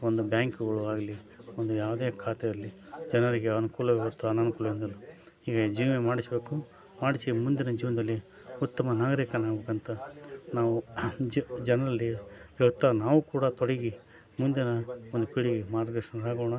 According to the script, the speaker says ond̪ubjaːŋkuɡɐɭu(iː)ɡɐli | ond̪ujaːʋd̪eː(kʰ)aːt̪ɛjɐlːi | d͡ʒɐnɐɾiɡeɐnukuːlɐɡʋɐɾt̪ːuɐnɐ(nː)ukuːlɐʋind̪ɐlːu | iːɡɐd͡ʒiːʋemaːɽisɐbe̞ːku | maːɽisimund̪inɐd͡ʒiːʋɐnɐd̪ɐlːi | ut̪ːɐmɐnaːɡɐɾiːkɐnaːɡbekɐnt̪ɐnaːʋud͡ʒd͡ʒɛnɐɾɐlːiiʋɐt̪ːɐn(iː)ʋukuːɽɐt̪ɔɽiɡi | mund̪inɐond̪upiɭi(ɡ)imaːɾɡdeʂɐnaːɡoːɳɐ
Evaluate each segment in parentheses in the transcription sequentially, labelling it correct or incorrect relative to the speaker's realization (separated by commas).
incorrect, correct, incorrect, incorrect, correct